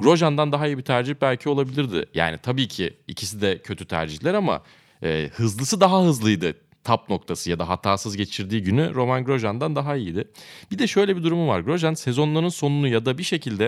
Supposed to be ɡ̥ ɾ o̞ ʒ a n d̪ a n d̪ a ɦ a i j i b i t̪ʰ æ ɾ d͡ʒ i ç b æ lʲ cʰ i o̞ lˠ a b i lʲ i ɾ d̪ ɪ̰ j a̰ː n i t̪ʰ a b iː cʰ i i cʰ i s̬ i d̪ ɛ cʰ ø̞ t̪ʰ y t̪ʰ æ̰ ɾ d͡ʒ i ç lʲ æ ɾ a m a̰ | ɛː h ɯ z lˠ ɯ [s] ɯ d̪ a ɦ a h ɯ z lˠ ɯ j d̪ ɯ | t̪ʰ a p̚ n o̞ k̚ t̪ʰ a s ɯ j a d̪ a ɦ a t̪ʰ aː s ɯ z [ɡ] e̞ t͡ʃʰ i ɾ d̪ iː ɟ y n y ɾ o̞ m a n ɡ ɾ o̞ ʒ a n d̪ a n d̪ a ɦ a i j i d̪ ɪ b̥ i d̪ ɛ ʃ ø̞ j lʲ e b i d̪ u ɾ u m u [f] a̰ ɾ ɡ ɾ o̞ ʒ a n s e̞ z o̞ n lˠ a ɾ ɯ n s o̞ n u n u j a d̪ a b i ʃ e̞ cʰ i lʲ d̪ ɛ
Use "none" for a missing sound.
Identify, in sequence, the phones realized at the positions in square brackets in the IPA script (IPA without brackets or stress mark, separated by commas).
s, ɟ, v